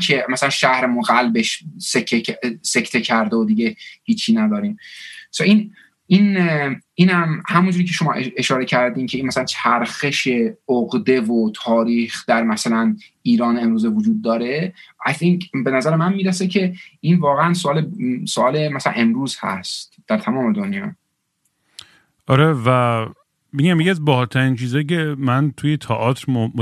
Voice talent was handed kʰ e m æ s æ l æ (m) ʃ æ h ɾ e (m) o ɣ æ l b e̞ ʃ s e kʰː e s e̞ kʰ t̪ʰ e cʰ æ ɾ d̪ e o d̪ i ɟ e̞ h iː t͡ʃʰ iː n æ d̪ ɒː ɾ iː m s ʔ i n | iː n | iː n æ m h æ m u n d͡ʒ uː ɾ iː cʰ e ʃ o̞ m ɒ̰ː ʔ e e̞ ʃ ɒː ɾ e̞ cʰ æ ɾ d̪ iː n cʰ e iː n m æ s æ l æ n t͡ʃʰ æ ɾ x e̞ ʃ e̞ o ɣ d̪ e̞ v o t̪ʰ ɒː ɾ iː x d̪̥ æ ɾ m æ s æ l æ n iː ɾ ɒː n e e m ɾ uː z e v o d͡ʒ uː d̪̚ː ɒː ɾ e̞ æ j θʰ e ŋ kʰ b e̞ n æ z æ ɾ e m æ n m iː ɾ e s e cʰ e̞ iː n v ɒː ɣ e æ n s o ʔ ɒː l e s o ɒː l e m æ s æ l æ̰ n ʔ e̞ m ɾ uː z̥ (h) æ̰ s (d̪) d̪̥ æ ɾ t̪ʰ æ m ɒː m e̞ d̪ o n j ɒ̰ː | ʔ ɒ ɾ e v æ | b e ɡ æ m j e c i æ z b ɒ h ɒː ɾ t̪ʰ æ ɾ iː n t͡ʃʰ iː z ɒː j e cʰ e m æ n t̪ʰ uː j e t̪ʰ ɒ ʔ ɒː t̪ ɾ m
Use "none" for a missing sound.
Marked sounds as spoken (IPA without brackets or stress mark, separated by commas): n, m, h, t̪